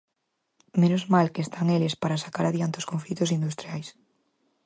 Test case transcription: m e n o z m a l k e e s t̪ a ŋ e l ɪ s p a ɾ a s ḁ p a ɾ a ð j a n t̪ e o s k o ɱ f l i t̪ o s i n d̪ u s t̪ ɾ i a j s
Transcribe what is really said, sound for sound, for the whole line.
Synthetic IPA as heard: m e n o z m a l k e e s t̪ a ŋ e l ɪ s p a ɾ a s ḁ k a ɾ a ð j a n t̪ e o s k o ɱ f l i t̪ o s i n d̪ u s t̪ ɾ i a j s